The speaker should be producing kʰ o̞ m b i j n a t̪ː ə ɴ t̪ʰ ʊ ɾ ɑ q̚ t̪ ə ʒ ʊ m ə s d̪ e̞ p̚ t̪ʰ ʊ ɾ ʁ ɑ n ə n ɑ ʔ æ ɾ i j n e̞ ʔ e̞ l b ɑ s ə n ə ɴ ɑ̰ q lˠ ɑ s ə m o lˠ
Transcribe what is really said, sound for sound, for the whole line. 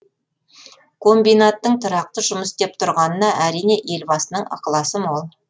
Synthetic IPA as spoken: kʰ o̞ m b i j n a t̪ː ə ɴ t̪ʰ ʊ ɾ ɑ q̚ t̪ ə ʒ ʊ m ə s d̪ e̞ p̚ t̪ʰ ʊ ɾ ʁ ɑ n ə n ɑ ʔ æ ɾ i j n e̞ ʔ e̞ l b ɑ s ə n ə ɴ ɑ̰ q lˠ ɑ s ə m o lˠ